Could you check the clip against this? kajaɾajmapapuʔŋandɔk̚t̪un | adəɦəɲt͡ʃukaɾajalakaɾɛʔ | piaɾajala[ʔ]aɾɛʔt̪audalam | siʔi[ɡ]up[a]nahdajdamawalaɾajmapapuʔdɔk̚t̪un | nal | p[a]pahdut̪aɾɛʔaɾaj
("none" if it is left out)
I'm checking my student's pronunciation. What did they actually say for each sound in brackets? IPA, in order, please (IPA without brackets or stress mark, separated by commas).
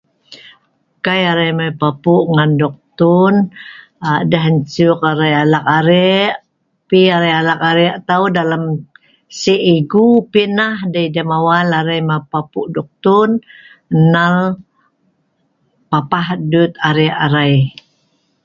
k, ɡ, i, a